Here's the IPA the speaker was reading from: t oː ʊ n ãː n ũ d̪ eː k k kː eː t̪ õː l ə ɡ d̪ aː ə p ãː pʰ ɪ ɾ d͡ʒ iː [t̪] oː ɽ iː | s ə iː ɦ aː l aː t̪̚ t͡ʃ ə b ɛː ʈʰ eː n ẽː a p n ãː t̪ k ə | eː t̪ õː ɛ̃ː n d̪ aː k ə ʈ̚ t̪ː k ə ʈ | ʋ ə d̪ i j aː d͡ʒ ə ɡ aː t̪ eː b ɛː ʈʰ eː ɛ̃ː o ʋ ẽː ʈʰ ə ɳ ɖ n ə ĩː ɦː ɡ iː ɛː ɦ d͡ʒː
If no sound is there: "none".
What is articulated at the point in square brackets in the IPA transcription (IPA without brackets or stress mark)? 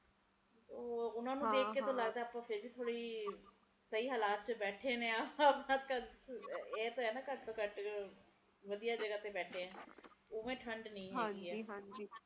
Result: t̪ʰ